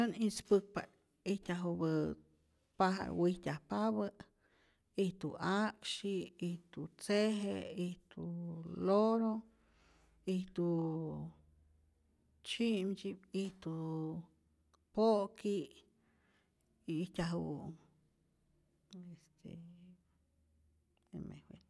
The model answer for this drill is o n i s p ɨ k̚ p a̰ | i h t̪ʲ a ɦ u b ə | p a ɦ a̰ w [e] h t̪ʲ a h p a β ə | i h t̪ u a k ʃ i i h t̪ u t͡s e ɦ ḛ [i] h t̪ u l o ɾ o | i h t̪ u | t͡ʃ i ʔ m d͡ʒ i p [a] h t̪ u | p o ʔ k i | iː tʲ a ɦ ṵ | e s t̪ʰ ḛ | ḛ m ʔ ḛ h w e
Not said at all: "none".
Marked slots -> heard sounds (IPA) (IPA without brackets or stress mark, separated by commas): i, i, i